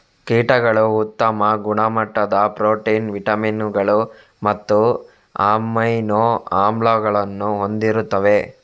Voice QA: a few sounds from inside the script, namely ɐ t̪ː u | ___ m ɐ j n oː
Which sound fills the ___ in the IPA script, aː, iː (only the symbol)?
aː